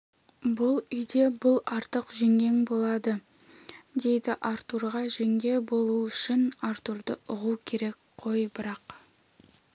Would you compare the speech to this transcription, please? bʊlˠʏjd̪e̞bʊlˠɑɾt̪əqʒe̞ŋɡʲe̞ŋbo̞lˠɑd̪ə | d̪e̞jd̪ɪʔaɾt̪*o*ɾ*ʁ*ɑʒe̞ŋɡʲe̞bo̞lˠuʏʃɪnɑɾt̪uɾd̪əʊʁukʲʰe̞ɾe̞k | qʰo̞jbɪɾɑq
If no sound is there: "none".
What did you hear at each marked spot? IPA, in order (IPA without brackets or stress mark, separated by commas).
u, ʁ